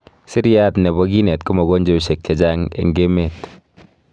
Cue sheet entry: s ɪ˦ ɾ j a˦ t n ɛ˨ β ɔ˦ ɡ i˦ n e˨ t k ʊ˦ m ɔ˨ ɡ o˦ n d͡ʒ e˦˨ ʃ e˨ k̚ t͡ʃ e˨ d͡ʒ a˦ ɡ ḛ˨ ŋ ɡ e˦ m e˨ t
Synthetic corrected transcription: s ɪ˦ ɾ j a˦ t n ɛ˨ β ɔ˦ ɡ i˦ n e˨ t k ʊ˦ m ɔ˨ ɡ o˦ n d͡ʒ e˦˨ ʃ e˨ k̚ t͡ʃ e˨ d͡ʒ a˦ ŋ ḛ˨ ŋ ɡ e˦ m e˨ t

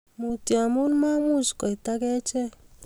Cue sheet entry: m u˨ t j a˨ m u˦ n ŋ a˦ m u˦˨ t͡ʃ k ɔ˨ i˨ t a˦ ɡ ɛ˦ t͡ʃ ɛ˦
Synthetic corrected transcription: m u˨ t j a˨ m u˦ n m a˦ m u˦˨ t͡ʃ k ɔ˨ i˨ t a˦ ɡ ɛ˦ t͡ʃ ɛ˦

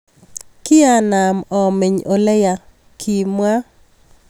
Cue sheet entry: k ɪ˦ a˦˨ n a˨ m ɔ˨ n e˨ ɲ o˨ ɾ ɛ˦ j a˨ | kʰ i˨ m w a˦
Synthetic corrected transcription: k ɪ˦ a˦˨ n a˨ m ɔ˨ m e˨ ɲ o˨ l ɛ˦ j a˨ | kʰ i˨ m w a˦

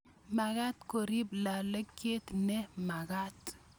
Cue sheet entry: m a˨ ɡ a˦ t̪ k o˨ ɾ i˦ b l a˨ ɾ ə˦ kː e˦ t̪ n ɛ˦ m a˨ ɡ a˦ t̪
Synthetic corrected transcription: m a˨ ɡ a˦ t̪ k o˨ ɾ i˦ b l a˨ l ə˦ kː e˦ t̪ n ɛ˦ m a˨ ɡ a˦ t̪

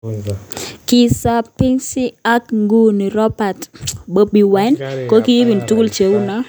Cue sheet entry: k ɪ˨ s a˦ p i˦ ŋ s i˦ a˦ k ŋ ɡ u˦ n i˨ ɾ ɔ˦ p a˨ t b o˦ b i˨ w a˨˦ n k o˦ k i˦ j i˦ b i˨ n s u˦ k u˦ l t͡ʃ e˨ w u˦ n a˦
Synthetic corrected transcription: k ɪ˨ s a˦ p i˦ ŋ s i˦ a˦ k ŋ ɡ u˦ n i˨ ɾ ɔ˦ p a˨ t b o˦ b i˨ w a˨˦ n k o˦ k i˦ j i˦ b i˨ n t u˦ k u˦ l t͡ʃ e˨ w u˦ n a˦

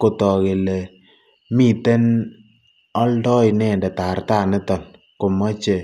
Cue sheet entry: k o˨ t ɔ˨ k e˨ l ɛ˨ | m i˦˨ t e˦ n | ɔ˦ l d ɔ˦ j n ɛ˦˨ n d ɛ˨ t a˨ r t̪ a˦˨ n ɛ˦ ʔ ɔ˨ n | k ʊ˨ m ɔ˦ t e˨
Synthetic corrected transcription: k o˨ t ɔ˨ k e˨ l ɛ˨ | m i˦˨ t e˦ n | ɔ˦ l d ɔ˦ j n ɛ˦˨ n d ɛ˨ t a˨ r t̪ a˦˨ n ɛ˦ t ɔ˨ n | k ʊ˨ m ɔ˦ t͡ʃ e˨

